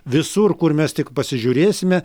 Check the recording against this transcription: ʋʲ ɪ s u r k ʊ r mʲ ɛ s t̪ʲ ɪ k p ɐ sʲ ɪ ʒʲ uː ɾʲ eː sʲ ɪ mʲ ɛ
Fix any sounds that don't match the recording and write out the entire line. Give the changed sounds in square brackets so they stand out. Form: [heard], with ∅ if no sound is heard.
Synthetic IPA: ʋʲ ɪ s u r k ʊ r mʲ ɛ s t̪ʲ ɪ k p ɐ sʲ ɪ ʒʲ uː ɾʲ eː sʲ ɪ mʲ ɛ